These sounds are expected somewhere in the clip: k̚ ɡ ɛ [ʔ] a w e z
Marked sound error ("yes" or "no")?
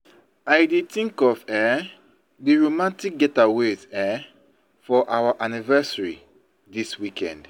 yes